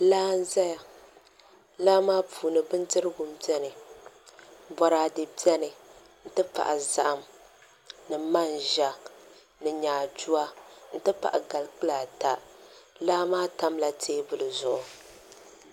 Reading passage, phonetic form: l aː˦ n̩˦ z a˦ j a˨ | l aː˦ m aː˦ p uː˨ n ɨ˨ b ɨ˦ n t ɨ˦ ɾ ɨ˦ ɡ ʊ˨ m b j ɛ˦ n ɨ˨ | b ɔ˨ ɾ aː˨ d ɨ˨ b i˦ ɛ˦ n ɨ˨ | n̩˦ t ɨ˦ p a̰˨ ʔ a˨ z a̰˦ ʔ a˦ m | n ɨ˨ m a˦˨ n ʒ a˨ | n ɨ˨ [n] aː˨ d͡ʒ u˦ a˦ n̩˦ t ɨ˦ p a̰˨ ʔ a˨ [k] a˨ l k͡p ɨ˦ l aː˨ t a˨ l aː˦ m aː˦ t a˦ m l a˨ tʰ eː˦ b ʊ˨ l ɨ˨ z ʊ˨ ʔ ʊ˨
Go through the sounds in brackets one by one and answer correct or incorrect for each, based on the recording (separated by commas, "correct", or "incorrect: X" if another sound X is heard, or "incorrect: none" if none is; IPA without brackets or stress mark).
incorrect: ɲ, incorrect: ɡ